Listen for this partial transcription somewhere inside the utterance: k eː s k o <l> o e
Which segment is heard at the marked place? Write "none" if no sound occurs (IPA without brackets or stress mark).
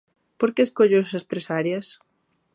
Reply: ʎ